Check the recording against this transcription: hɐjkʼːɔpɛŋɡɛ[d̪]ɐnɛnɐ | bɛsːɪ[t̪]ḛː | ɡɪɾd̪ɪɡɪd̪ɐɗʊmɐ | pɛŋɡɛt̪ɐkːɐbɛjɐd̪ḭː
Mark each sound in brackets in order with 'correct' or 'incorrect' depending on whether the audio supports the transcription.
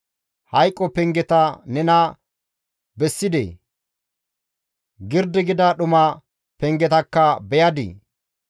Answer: incorrect: t̪, incorrect: d̪

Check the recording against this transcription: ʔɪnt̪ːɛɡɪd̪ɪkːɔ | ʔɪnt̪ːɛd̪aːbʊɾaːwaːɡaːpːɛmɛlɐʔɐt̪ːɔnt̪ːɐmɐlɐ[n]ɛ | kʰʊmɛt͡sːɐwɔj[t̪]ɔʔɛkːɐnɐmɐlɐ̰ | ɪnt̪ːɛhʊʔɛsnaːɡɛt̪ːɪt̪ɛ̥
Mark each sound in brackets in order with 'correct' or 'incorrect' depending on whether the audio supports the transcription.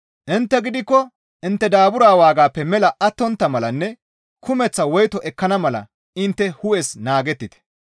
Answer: incorrect: nː, correct

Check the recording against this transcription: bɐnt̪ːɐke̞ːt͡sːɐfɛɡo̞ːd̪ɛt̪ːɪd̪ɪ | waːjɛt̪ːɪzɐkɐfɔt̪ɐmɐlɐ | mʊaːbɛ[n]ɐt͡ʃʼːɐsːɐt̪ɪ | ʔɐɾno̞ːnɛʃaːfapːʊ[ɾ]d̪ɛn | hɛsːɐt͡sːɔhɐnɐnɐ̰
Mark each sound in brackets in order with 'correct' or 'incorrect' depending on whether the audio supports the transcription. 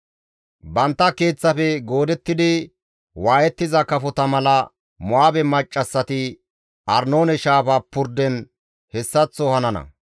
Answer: incorrect: m, correct

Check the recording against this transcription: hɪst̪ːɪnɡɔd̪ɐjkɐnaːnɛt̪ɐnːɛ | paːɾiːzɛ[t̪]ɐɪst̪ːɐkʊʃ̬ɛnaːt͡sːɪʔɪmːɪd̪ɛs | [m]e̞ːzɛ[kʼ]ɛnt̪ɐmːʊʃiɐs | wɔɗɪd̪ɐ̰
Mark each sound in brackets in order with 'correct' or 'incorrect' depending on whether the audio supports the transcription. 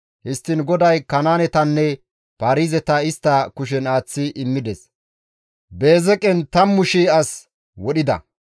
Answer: correct, incorrect: b, correct

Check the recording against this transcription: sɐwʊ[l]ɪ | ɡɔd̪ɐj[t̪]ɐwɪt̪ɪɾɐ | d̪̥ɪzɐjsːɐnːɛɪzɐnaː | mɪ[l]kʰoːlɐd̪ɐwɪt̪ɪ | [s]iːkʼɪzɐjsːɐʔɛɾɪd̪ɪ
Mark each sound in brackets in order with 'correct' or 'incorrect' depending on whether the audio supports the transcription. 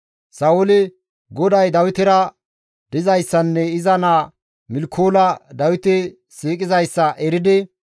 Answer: correct, incorrect: d̪, correct, correct

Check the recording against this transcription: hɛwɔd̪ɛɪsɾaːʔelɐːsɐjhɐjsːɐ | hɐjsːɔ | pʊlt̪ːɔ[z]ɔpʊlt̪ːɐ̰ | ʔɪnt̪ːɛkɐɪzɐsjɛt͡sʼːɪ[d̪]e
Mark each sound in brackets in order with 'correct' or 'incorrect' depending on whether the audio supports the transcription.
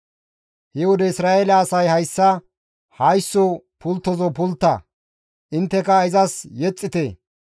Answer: correct, incorrect: t̪

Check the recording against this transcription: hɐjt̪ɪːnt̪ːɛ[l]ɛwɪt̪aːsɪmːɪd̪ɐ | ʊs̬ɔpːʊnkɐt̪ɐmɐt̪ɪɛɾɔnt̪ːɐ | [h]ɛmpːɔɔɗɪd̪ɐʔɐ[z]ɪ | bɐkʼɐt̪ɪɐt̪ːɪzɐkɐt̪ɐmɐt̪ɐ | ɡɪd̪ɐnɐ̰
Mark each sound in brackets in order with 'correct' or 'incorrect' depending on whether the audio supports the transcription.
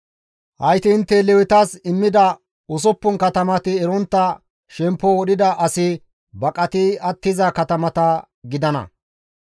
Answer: correct, incorrect: ʃ, incorrect: s

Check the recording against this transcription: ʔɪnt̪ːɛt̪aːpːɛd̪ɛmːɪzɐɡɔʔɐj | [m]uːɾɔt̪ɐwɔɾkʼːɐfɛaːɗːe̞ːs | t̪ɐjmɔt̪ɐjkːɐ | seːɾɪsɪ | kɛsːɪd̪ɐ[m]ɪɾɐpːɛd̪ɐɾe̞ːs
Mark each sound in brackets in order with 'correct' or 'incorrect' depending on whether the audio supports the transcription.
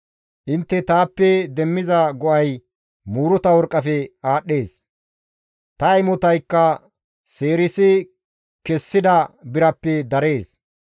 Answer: correct, incorrect: b

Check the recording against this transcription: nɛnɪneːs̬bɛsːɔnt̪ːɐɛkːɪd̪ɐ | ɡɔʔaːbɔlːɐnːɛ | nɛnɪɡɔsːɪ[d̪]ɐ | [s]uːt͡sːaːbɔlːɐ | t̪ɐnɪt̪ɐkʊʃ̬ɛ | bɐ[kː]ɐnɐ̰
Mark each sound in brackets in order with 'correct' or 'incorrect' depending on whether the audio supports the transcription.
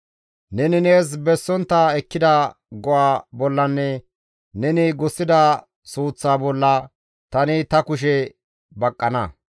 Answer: correct, correct, incorrect: kʼː

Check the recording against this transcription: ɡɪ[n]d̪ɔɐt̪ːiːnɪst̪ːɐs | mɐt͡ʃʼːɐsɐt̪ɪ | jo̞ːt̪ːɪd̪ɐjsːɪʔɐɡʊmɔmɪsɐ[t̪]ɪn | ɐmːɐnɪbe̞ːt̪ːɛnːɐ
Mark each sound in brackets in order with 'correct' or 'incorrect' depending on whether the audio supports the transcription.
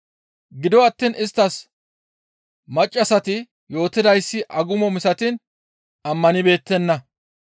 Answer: incorrect: none, correct

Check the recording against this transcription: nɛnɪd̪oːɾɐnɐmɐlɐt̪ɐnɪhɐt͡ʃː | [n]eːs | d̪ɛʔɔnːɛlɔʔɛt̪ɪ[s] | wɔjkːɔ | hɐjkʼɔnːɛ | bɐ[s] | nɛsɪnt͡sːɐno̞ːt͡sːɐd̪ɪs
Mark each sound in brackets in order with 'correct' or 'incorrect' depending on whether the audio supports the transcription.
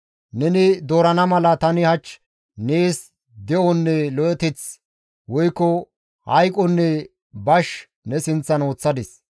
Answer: correct, incorrect: t͡s, incorrect: ʃ

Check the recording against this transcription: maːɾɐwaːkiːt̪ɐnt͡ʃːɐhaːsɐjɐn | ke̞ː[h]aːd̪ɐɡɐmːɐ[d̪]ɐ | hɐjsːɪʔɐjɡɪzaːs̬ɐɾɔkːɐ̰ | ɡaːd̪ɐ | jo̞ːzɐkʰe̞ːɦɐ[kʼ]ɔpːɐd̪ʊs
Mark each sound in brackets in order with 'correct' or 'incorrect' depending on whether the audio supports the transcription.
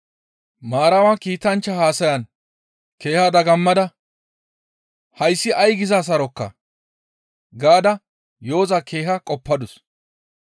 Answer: correct, correct, correct

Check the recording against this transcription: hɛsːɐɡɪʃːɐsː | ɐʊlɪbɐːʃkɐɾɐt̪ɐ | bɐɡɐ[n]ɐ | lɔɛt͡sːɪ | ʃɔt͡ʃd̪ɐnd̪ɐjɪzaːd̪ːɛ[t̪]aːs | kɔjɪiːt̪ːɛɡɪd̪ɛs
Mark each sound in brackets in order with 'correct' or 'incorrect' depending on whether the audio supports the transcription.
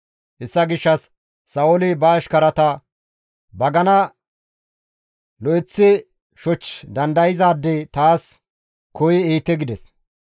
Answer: correct, correct

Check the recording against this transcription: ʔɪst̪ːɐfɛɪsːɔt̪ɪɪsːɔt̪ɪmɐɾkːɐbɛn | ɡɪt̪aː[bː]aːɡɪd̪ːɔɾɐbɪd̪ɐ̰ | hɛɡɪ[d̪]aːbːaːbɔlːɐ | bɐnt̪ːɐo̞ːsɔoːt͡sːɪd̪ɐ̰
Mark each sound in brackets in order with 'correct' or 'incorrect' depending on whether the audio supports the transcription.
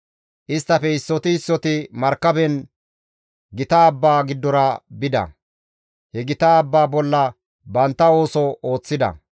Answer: correct, incorrect: t̪

